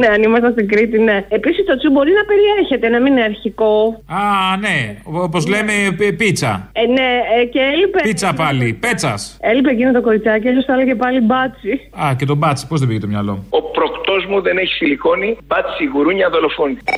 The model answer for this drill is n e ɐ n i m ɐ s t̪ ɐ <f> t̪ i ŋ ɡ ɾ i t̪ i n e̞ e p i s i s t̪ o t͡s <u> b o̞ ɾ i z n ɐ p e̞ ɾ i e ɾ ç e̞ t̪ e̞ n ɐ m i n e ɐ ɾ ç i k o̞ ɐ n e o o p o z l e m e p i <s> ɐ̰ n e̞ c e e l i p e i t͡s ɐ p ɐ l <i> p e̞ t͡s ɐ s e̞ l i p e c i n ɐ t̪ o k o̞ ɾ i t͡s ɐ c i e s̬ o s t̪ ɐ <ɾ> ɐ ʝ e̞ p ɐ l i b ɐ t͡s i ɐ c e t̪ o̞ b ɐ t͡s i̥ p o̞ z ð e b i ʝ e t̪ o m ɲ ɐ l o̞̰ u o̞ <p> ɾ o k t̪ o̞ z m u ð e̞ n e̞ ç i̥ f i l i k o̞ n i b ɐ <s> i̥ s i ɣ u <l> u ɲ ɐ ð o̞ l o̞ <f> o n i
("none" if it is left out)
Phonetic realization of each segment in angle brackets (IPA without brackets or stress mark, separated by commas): s, u, t͡s, i, l, p, t͡s, ɾ, f